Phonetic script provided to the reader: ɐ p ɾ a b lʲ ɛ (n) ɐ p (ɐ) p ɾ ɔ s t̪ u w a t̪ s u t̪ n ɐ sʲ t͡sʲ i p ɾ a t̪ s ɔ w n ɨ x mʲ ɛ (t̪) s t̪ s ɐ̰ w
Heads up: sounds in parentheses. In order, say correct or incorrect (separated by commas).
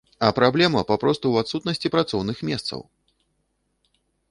incorrect, incorrect, incorrect